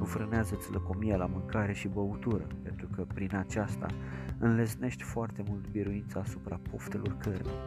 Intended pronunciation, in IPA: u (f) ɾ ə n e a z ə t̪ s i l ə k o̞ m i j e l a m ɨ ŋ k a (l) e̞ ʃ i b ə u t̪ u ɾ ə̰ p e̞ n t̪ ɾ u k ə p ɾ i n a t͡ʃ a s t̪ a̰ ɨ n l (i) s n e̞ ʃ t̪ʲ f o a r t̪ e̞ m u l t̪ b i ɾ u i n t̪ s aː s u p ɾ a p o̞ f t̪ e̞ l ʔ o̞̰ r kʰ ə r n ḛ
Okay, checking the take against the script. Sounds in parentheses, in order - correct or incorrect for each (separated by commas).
correct, incorrect, incorrect